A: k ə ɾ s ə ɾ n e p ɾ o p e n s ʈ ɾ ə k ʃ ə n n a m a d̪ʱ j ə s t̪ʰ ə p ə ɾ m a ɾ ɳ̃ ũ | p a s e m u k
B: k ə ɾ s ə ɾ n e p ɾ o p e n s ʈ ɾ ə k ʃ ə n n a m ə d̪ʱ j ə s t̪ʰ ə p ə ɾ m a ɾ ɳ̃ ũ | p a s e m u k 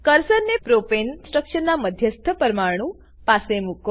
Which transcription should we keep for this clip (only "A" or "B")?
B